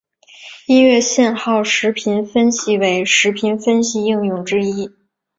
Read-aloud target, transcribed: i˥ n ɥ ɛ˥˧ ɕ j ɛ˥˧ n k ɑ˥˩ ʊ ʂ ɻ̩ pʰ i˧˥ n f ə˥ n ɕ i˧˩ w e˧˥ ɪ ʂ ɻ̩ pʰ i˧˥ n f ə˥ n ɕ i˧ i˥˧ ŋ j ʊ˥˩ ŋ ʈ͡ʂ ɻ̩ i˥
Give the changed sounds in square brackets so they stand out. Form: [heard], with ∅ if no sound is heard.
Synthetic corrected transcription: i˥ n ɥ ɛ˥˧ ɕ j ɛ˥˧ n [x] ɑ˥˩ ʊ ʂ ɻ̩ pʰ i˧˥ n f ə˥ n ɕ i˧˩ w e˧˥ ɪ ʂ ɻ̩ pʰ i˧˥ n f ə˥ n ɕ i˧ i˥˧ ŋ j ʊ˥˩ ŋ ʈ͡ʂ ɻ̩ i˥